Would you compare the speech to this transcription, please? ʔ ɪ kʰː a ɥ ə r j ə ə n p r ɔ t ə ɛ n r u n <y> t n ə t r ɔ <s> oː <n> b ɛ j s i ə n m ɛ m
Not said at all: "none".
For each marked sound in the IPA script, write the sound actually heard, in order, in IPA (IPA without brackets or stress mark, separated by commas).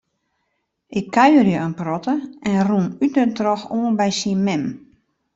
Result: y, x, n